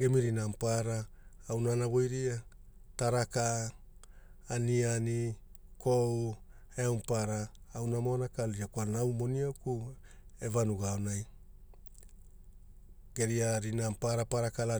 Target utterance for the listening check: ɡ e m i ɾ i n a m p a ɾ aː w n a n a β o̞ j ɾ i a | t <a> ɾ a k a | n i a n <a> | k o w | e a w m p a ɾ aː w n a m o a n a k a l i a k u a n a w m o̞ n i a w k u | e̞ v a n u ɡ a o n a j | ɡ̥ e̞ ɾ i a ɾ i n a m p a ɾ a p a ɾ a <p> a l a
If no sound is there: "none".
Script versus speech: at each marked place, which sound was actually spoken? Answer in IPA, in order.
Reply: a, i, k

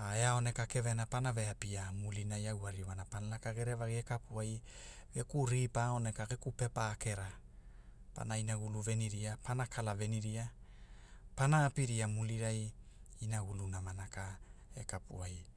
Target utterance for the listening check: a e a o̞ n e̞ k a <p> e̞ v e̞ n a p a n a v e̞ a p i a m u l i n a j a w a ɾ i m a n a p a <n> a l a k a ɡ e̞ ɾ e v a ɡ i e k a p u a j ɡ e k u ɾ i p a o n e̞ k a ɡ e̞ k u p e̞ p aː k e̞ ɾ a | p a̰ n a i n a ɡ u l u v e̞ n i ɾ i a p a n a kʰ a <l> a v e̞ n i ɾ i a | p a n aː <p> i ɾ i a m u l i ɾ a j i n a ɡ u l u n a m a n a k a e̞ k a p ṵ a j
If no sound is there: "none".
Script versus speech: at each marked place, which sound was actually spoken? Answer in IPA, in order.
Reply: k, n, l, p

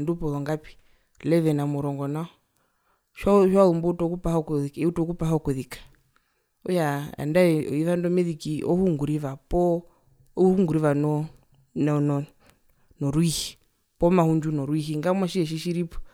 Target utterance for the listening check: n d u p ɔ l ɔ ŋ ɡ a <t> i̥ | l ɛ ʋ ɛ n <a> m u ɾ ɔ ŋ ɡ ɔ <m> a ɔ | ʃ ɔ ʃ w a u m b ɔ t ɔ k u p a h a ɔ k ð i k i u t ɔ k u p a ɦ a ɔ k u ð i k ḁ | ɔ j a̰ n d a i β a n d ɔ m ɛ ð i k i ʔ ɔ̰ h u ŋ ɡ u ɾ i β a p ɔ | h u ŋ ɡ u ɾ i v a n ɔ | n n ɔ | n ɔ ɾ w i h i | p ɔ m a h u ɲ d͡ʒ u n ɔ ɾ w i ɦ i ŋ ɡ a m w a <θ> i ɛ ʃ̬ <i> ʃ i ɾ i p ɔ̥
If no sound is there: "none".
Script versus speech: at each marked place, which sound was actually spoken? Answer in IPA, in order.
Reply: p, a, n, ʃ, i

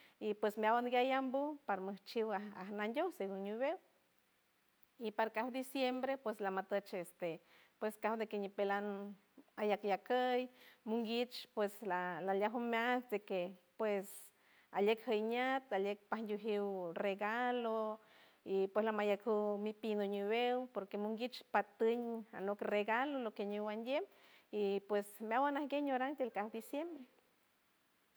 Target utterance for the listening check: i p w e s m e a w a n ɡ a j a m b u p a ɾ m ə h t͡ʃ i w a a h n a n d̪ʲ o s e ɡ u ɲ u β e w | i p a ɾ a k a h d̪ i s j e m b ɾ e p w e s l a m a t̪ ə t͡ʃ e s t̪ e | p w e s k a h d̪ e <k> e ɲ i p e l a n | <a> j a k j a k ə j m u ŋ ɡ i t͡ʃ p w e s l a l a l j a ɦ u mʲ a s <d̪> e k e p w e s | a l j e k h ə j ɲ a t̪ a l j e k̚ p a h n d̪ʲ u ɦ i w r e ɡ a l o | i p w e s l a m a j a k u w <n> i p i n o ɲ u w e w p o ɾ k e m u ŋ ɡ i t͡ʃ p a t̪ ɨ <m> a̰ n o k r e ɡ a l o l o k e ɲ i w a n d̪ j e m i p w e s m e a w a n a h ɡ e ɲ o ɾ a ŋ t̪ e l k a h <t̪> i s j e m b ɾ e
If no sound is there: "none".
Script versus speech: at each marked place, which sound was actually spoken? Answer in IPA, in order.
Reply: k, a, d̪, m, ɲ, d̪

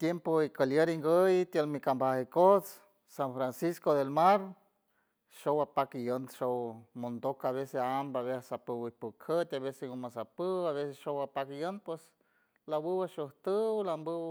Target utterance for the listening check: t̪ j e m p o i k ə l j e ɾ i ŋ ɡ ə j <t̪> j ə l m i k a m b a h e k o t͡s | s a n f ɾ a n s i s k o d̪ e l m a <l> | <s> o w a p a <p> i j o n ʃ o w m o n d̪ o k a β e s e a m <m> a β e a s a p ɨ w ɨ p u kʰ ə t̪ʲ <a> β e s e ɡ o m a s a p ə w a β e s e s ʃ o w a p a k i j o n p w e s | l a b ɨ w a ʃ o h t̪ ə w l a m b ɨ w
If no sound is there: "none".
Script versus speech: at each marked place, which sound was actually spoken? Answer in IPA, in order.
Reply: t̪, ɾ, ʃ, k, b, a

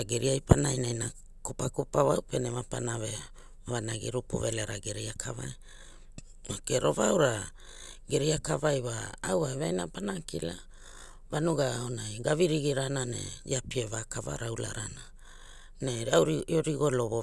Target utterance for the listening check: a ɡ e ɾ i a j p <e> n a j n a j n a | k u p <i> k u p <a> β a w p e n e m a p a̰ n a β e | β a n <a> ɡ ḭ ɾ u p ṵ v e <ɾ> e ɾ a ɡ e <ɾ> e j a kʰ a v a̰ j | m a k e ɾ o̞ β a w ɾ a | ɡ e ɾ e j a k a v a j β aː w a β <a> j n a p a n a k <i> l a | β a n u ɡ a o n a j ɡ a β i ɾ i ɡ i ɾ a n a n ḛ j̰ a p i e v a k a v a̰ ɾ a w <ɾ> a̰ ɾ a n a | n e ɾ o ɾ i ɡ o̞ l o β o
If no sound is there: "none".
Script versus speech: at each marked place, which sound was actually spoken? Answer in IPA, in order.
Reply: a, a, a, a, l, ɾ, a, i, l

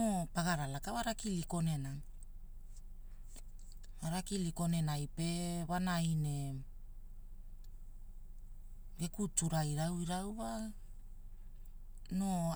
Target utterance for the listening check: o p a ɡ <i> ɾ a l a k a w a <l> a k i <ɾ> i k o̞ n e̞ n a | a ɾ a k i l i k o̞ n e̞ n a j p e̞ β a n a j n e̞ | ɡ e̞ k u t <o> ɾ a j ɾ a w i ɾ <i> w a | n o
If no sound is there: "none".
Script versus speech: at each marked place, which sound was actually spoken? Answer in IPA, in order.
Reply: a, ɾ, l, u, a

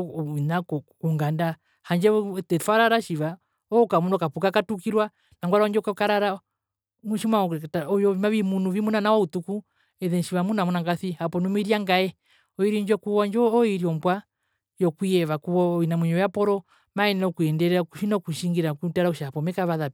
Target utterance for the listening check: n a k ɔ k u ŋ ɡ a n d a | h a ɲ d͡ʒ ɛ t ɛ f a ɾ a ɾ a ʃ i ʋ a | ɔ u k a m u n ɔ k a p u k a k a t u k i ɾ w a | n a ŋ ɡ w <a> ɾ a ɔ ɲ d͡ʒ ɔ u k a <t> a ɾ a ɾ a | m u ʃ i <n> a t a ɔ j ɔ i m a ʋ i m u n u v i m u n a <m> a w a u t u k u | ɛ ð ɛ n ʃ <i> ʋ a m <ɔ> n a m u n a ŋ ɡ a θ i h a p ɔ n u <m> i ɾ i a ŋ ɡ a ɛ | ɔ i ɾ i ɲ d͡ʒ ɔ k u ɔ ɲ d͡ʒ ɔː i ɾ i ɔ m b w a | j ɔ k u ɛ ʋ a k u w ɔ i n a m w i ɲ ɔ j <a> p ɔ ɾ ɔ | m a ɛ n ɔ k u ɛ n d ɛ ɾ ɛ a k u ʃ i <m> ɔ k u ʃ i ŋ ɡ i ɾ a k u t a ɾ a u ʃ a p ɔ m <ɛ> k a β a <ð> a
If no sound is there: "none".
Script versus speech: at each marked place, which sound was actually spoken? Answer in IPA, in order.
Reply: a, k, m, n, i, u, m, a, n, ɛ, ð

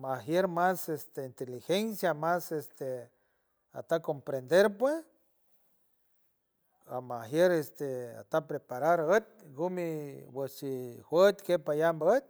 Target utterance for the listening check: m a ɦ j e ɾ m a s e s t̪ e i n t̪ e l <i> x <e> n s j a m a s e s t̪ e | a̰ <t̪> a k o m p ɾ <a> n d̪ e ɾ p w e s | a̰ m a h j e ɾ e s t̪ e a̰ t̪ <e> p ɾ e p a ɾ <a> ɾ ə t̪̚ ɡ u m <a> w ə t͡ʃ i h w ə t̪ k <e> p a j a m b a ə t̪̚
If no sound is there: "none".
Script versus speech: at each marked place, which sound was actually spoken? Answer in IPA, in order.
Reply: i, e, t̪, e, a, a, i, e

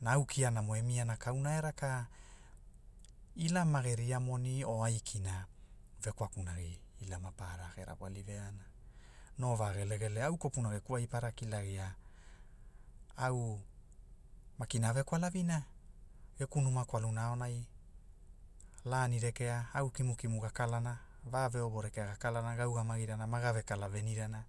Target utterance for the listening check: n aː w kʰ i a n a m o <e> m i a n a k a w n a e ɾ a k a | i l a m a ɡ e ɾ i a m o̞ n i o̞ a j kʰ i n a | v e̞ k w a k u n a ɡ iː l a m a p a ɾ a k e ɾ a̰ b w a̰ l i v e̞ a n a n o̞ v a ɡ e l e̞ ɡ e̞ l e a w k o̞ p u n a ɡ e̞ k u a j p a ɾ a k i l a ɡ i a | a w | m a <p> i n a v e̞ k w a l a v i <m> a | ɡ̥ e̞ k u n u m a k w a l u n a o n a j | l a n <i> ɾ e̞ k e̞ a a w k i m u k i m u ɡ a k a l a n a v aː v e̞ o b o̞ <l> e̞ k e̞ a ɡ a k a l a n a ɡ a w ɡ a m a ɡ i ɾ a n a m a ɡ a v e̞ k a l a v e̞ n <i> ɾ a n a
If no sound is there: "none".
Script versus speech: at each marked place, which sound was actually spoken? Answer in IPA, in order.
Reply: e, k, n, i, ɾ, i

